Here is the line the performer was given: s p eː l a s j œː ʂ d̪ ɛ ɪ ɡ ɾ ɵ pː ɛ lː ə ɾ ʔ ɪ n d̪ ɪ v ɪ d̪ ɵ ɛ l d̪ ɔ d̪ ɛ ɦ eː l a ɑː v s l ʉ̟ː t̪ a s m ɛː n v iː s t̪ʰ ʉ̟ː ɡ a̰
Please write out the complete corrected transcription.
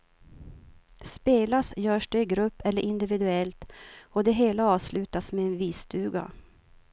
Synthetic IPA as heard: s p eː l a s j œː ʂ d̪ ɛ ɪ ɡ ɾ ɵ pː ɛ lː ə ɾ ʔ ɪ n d̪ ɪ v ɪ d̪ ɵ ɛ l t̪ ɔ d̪ ɛ ɦ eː l a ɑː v s l ʉ̟ː t̪ a s m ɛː n v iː s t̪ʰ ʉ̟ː ɡ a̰